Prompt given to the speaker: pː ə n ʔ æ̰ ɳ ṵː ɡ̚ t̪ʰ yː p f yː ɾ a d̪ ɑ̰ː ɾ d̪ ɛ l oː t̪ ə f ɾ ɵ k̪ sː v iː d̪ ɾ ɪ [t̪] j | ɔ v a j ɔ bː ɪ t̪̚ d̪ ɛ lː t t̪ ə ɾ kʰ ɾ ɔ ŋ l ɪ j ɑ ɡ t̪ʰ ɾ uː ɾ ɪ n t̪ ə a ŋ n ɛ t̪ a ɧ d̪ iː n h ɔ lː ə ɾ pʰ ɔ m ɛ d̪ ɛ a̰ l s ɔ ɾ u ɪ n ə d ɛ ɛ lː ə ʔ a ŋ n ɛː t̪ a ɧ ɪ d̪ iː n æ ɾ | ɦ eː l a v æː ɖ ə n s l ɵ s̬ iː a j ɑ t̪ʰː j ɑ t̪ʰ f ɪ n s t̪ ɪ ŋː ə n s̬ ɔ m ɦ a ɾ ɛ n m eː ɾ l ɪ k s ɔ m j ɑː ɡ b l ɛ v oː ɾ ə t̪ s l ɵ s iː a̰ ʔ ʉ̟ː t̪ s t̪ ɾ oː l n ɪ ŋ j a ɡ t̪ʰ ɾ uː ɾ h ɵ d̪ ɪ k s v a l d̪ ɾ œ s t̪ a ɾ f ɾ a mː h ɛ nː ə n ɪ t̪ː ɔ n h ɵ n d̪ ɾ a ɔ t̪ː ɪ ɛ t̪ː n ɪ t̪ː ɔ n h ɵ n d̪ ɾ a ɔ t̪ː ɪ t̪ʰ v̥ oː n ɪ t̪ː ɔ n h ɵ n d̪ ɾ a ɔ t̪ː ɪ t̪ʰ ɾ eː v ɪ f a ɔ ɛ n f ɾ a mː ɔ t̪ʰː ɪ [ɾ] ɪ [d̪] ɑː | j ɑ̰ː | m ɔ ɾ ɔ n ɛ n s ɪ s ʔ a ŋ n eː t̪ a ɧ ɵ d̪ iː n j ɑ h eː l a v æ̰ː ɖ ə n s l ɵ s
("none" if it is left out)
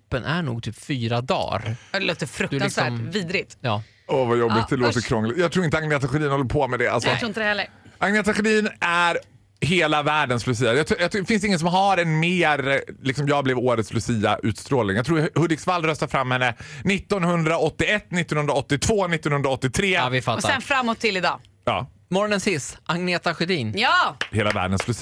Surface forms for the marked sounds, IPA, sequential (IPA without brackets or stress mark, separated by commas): t̪, l, d̪